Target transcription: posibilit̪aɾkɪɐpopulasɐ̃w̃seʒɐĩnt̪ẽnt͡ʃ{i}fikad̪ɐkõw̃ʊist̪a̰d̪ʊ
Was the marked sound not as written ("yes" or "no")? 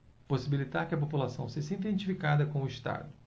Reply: no